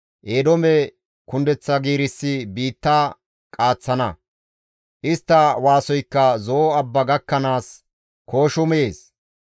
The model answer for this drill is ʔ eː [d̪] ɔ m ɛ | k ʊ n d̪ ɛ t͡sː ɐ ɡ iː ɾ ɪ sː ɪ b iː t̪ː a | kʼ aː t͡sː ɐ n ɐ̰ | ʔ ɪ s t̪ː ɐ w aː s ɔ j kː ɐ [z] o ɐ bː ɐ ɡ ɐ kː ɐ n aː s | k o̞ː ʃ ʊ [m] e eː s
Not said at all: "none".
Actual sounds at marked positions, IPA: d̪, z, m

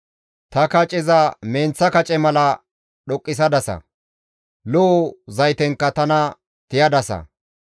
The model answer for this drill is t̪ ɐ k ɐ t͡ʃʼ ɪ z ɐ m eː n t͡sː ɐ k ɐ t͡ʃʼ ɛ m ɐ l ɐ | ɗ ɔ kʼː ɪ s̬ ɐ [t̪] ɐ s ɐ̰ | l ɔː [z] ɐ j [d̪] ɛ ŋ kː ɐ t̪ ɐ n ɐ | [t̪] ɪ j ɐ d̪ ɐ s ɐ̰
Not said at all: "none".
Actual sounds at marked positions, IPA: d̪, z, t̪, t̪

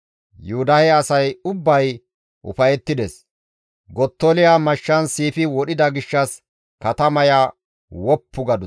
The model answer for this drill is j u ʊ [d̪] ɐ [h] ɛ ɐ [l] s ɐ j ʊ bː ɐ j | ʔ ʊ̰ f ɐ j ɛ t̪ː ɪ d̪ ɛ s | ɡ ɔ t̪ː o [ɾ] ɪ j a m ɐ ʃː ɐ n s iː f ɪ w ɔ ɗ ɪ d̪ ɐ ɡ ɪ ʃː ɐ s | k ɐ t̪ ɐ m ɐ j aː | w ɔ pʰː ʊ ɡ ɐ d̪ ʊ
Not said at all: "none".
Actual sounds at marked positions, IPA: d̪, h, none, l

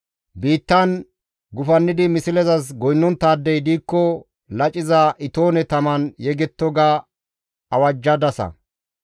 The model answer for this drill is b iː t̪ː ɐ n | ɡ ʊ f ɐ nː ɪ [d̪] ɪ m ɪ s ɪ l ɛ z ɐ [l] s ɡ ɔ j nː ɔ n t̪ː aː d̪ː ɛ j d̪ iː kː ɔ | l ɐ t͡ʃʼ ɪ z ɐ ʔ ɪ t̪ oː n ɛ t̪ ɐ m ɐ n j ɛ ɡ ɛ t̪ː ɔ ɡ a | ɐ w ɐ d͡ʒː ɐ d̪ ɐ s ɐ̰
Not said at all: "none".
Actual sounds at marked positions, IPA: d̪, none

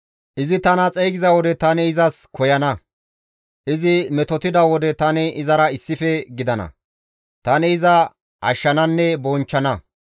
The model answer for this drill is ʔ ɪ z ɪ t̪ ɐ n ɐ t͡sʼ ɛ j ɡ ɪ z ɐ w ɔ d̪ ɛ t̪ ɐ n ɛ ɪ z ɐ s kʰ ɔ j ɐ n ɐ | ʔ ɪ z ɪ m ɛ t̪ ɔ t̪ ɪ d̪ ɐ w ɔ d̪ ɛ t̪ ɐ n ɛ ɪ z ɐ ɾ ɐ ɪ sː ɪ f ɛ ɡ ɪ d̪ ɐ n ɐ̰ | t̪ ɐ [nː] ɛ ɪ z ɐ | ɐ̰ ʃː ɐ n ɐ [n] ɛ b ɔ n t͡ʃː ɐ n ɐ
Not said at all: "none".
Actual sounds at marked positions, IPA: n, nː

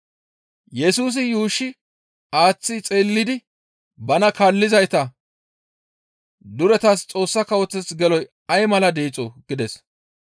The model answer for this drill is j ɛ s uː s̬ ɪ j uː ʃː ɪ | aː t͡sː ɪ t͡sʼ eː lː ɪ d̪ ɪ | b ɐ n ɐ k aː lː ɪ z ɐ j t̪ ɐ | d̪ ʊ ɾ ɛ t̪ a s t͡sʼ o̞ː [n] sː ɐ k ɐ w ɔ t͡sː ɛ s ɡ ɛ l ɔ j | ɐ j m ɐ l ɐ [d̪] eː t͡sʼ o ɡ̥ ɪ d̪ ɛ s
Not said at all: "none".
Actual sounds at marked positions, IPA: none, d̪

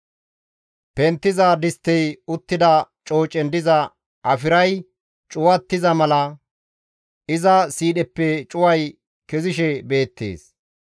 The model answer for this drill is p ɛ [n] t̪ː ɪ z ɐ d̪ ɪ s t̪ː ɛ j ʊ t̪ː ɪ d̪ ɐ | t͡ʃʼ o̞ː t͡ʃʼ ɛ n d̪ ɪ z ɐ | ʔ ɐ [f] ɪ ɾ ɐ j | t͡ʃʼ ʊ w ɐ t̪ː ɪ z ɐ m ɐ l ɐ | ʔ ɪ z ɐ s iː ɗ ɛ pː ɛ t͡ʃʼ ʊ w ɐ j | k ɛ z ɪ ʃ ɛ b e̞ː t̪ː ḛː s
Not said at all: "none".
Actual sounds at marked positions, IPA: n, f

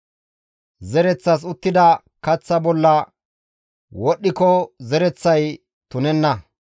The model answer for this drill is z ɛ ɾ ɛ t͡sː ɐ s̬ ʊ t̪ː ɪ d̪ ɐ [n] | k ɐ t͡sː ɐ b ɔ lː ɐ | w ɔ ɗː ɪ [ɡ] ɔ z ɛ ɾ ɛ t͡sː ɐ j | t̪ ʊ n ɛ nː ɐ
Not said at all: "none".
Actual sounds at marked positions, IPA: none, k

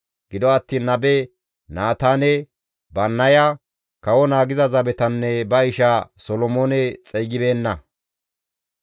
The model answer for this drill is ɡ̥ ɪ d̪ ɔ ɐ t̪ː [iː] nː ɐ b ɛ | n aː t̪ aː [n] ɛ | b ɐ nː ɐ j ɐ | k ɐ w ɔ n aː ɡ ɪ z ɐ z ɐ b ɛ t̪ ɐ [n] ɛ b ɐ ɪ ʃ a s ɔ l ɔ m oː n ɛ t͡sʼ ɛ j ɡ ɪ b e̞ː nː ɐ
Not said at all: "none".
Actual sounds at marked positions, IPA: iː, n, nː

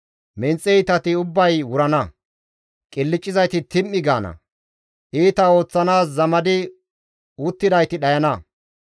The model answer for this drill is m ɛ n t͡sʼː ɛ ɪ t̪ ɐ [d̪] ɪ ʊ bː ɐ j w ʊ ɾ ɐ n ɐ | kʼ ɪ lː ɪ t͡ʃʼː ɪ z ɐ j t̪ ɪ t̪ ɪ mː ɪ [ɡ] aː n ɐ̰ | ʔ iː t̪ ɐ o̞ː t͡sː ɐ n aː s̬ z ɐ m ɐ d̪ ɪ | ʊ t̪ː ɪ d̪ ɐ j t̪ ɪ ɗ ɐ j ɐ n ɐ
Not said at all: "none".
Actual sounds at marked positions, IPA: t̪, ɡ

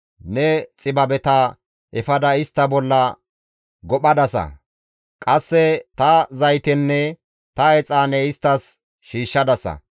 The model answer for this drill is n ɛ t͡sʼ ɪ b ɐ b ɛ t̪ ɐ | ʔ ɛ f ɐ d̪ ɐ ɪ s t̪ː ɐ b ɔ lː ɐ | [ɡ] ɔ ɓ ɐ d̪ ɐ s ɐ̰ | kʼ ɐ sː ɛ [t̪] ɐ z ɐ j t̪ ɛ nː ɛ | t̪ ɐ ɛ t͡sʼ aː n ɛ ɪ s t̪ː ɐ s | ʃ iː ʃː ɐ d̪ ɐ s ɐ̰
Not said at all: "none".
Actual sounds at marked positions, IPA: ɡ, t̪

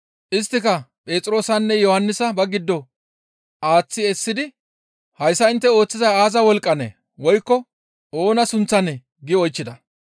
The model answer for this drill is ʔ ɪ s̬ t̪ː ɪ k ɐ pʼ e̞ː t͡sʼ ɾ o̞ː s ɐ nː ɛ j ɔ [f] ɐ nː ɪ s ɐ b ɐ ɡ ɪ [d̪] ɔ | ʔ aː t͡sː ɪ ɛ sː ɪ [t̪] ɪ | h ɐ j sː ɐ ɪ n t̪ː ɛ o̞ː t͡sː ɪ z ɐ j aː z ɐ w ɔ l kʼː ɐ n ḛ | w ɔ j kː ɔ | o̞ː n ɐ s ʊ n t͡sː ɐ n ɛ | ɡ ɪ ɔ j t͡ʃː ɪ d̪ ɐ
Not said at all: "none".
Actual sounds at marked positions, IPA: h, d̪ː, d̪

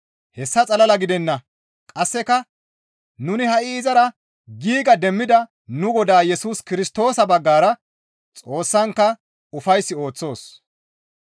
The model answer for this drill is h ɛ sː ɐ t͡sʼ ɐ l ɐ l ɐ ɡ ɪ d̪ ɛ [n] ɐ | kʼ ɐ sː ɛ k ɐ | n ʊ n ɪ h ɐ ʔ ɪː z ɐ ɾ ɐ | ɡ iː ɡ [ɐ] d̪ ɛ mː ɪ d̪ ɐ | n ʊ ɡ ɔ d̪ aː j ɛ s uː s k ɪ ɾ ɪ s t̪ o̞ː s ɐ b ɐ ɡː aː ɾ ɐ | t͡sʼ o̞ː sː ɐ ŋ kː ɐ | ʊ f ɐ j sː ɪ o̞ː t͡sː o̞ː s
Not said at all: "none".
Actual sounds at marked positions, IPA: nː, ɐ

